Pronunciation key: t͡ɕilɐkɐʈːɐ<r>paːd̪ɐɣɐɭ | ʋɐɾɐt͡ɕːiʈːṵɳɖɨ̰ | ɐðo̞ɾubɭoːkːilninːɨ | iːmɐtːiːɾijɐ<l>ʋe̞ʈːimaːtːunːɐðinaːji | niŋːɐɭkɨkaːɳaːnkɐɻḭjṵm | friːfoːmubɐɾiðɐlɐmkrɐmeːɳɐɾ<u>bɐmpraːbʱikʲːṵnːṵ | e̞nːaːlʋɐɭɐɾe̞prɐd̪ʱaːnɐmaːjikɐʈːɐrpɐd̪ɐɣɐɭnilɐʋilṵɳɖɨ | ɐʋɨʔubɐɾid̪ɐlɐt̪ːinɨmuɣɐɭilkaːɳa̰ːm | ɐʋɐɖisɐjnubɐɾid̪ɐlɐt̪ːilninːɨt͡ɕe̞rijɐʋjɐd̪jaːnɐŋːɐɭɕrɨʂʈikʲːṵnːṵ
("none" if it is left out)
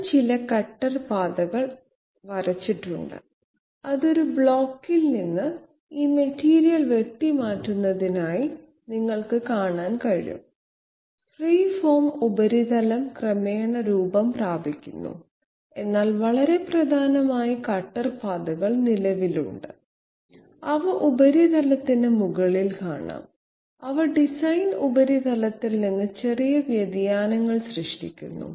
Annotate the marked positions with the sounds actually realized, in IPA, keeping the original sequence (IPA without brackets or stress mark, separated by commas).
r, l, uː